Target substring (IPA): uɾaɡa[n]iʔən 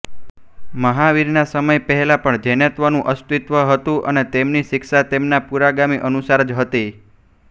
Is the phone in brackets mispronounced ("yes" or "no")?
yes